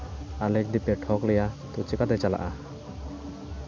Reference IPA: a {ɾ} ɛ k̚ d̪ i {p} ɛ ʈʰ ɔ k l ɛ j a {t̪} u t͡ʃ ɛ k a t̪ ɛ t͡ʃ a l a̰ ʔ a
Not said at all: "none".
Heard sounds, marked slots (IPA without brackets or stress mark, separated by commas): l, p, t̪